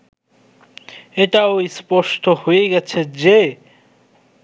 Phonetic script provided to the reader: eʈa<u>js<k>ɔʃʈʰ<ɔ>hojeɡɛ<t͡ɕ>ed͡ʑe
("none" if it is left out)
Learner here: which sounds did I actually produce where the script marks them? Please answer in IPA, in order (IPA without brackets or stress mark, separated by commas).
o, p, o, t͡ɕʰ